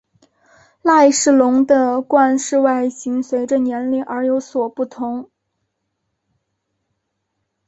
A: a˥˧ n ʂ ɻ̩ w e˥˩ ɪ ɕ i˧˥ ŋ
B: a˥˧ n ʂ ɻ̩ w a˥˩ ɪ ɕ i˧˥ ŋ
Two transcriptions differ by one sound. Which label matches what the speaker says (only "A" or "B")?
B